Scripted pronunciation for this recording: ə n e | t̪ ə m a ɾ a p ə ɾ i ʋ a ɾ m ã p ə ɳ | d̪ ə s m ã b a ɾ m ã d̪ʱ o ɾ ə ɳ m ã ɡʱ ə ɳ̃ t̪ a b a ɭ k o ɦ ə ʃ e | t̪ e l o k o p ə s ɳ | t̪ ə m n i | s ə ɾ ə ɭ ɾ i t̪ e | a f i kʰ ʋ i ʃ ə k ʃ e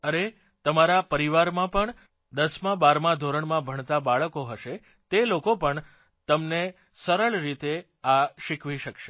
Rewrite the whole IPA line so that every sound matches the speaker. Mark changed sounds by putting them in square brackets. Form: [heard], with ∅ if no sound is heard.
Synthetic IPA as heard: ə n e | t̪ ə m a ɾ a p ə ɾ i ʋ a ɾ m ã p ə ɳ | d̪ ə s m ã b a ɾ m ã d̪ʱ o ɾ ə ɳ m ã [bʱ] ə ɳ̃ t̪ a b a ɭ k o ɦ ə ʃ e | t̪ e l o k o p ə [∅] ɳ | t̪ ə m n [e] | s ə ɾ ə ɭ ɾ i t̪ e | a [ʃ] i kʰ ʋ i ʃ ə k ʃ e

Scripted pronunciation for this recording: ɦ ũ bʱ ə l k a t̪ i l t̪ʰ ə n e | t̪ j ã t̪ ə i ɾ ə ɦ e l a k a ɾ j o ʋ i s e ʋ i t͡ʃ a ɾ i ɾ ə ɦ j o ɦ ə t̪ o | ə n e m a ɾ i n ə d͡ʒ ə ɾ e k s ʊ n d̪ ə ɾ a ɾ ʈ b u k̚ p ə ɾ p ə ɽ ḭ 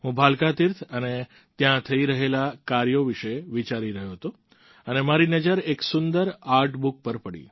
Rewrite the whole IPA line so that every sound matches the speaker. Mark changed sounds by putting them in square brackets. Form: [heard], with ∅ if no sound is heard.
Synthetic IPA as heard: ɦ ũ bʱ [a] l k a t̪ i [ɾ] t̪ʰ ə n e | t̪ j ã [t̪ʰ] ə i ɾ ə ɦ e l a k a ɾ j o ʋ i [ʃ] e ʋ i t͡ʃ a ɾ i ɾ ə ɦ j o ɦ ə t̪ o | ə n e m a ɾ i n ə d͡ʒ ə ɾ e k s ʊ n d̪ ə ɾ a ɾ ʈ b u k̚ p ə ɾ p ə ɽ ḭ

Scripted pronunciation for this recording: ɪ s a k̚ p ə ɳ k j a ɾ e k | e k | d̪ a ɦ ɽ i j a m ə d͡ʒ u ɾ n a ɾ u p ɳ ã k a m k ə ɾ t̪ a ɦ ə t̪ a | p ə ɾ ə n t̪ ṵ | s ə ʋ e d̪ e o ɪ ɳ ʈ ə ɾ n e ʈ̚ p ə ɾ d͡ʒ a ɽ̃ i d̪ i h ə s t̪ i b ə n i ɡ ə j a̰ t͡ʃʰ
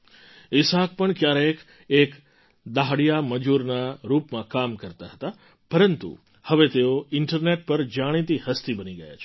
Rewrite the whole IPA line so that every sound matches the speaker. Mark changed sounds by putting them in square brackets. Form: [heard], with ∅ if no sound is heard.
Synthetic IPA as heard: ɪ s a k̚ p ə ɳ k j a ɾ e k | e k | d̪ a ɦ ɽ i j a m ə d͡ʒ u ɾ n a ɾ u p [m] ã k a m k ə ɾ t̪ a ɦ ə t̪ a | p ə ɾ ə n t̪ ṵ | [h] ə ʋ e [t̪] e o ɪ ɳ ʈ ə ɾ n e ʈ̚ p ə ɾ d͡ʒ a ɽ̃ i [t̪] i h ə s t̪ i b ə n i ɡ ə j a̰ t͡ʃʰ

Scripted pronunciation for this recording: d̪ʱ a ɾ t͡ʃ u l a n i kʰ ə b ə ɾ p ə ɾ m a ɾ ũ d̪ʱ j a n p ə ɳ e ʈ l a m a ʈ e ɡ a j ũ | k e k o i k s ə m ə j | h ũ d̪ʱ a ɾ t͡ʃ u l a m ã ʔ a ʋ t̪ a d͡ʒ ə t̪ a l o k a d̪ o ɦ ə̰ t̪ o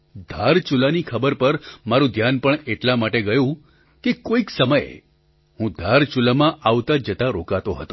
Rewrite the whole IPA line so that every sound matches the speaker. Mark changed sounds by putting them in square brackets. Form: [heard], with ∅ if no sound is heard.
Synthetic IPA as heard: d̪ʱ a ɾ t͡ʃ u l a n i kʰ ə b ə ɾ p ə ɾ m a ɾ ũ d̪ʱ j a n p ə ɳ e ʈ l a m a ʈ e ɡ [ə] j ũ | k e k o i k s ə m ə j | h ũ d̪ʱ a ɾ t͡ʃ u l a m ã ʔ a ʋ t̪ a d͡ʒ ə t̪ a [ɾ] o k a [t̪] o ɦ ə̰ t̪ o

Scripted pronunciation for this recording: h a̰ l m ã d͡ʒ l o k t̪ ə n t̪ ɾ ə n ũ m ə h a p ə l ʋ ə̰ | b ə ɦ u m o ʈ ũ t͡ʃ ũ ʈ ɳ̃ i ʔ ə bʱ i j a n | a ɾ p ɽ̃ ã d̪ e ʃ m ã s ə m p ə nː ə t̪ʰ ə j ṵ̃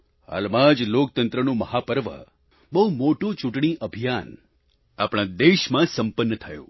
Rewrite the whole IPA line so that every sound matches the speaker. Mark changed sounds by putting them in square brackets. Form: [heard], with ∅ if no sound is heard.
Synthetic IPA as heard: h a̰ l m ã d͡ʒ l o k t̪ ə n t̪ ɾ ə n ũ m ə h a p ə [ɾ] ʋ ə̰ | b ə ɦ u m o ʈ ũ t͡ʃ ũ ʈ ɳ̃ i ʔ ə bʱ i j a n | a [∅] p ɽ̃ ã d̪ e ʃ m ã s ə m p ə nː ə t̪ʰ ə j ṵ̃

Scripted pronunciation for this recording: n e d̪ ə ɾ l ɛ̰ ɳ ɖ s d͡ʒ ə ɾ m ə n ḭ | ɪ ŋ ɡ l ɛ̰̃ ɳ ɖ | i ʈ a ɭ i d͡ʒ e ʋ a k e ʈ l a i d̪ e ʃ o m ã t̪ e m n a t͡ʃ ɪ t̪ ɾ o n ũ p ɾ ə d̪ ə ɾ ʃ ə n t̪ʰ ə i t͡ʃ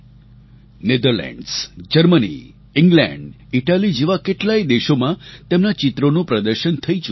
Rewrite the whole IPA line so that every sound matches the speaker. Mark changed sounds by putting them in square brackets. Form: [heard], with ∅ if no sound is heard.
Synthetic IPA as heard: n e d̪ ə ɾ l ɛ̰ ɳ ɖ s d͡ʒ ə ɾ m ə n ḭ | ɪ ŋ ɡ l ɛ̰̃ ɳ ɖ | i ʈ a [l] i d͡ʒ e ʋ a k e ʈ l a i d̪ e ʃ o m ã t̪ e m n a t͡ʃ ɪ t̪ ɾ o n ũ p ɾ ə d̪ ə ɾ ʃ ə n t̪ʰ ə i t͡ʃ

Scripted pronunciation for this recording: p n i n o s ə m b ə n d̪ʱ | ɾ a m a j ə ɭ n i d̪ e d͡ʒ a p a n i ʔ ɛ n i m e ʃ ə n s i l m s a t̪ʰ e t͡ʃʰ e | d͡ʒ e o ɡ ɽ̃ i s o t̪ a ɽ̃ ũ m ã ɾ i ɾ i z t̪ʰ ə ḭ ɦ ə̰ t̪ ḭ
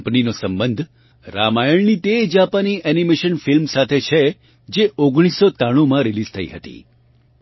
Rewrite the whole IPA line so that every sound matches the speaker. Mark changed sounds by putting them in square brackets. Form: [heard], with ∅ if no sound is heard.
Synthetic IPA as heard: p n i n o s ə m b ə n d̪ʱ | ɾ a m a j ə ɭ n i [t̪] e d͡ʒ a p a n i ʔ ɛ n i m e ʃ ə n [f] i l m s a t̪ʰ e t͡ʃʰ e | d͡ʒ e o ɡ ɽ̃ i s o t̪ a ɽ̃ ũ m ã ɾ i [l] i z t̪ʰ ə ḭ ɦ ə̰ t̪ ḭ

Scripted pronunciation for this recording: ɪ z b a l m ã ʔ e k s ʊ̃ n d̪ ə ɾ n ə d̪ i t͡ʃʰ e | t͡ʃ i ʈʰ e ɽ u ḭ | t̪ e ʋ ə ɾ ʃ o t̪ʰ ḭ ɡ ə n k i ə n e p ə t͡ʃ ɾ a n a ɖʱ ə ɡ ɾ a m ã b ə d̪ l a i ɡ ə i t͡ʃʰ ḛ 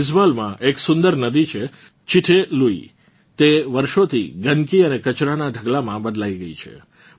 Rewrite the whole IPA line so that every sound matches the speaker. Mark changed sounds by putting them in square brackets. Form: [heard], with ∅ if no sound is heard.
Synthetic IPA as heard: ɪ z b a l m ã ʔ e k s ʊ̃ n d̪ ə ɾ n ə d̪ i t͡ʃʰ e | t͡ʃ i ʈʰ e [l] u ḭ | t̪ e ʋ ə ɾ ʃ o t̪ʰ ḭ ɡ ə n k i ə n e [k] ə t͡ʃ ɾ a n a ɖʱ ə ɡ [l] a m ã b ə d̪ l a i ɡ ə i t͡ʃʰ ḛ

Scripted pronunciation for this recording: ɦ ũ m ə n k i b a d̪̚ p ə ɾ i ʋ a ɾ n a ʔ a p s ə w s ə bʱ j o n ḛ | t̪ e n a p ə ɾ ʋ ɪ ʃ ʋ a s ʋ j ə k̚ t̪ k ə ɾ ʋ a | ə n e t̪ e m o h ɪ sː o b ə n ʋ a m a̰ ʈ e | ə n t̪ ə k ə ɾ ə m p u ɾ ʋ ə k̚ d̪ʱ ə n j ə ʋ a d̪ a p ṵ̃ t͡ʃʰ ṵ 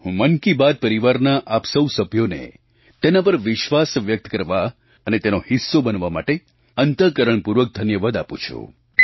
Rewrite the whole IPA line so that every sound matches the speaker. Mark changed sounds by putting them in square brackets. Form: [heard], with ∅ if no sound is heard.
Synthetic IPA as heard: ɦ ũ m ə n k i b a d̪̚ p ə ɾ i ʋ a ɾ n a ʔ a p s ə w s ə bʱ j o n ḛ | t̪ e n a p ə ɾ ʋ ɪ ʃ ʋ a s ʋ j ə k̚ t̪ k ə ɾ ʋ a | ə n e t̪ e [n] o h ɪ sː o b ə n ʋ a m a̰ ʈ e | ə n t̪ ə k ə ɾ ə [ɳ] p u ɾ ʋ ə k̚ d̪ʱ ə n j ə ʋ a d̪ a p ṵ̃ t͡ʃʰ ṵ

